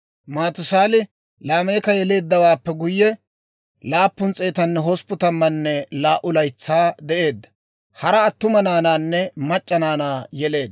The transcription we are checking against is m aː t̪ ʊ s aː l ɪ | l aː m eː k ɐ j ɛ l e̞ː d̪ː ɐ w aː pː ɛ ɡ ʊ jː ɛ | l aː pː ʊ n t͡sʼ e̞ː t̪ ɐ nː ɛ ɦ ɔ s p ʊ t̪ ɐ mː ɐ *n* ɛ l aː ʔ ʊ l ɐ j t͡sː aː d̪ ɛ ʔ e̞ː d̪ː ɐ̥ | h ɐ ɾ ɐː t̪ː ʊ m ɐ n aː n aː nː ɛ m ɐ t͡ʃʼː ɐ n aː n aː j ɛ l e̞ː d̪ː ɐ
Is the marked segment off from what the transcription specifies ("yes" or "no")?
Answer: yes